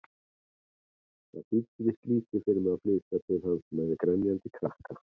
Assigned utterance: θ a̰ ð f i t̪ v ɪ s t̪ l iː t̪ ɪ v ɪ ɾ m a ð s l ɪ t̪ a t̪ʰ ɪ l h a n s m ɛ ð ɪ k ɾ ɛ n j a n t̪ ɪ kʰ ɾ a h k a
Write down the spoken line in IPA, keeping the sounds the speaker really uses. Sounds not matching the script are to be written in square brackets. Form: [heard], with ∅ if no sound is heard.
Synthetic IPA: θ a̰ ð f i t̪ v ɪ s t̪ l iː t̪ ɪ [f] ɪ ɾ m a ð [f] l ɪ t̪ a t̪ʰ ɪ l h a n s m ɛ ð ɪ k ɾ ɛ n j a n t̪ ɪ kʰ ɾ a h k a

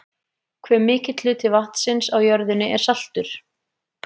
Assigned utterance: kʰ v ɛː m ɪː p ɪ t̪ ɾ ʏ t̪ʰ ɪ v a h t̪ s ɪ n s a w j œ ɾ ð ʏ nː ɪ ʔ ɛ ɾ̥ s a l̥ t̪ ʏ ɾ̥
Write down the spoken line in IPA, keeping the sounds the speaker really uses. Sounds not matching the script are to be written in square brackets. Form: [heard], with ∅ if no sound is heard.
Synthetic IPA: kʰ v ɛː m ɪː [c] ɪ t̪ [l] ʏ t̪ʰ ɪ v a h t̪ s ɪ n s a w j œ ɾ ð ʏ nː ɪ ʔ ɛ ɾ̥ s a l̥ t̪ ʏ ɾ̥

